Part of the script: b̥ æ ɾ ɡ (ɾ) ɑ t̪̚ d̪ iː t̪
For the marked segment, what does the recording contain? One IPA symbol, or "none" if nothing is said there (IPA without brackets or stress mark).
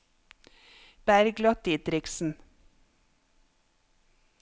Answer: l